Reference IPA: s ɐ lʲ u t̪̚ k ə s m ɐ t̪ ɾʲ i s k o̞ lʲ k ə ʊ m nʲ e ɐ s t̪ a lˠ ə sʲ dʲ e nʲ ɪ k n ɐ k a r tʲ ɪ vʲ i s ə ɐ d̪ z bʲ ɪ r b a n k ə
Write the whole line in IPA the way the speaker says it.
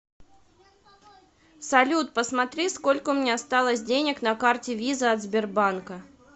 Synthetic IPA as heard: s ɐ lʲ u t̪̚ p ə s m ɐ t̪ ɾʲ i s k o̞ lʲ k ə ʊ m nʲ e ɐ s t̪ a lˠ ə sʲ dʲ e nʲ ɪ k n ɐ k a r tʲ ɪ vʲ i z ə ɐ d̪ z bʲ ɪ r b a n k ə